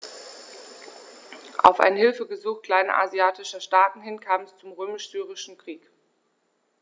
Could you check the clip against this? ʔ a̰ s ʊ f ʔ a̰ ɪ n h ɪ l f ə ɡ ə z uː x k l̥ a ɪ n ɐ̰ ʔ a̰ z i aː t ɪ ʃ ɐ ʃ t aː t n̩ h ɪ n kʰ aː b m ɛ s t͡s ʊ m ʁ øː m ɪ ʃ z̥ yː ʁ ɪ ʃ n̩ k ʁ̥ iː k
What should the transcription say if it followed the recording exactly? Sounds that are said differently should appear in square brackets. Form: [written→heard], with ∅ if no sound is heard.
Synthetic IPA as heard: ʔ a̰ [s→∅] ʊ f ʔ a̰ ɪ n h ɪ l f ə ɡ ə z uː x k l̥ a ɪ n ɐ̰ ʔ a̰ z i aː t ɪ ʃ ɐ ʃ t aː t n̩ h ɪ n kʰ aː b m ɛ s t͡s ʊ m ʁ øː m ɪ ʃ z̥ yː ʁ ɪ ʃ n̩ k ʁ̥ iː k